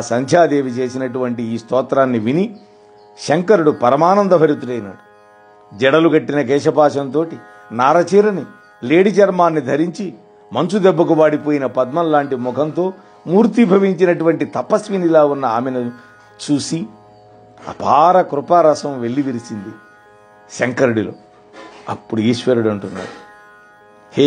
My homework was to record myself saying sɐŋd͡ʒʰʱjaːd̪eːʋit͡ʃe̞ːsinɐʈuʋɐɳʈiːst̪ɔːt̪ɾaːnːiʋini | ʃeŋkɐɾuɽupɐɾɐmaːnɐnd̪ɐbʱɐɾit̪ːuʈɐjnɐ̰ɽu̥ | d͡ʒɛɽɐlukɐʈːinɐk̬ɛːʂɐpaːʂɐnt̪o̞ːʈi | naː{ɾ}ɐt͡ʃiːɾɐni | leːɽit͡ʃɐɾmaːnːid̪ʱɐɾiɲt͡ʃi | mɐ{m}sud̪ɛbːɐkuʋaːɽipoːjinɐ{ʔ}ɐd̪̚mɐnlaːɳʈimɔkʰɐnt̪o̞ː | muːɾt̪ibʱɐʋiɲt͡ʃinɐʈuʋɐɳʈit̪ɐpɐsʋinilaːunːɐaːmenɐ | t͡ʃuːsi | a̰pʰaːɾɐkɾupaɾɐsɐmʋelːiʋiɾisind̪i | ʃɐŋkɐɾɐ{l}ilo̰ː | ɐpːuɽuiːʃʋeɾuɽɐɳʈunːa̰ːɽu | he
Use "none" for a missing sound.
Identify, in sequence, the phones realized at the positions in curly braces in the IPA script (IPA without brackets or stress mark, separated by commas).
ɾ, n, p, ɽ